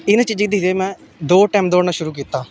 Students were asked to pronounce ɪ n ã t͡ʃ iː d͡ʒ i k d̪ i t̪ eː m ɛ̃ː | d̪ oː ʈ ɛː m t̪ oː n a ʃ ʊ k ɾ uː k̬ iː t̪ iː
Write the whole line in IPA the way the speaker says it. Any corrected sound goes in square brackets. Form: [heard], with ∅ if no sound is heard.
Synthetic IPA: ɪ n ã t͡ʃ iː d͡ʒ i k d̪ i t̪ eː m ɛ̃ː | d̪ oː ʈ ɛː m [d̪] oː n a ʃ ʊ [∅] ɾ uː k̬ iː t̪ [aː]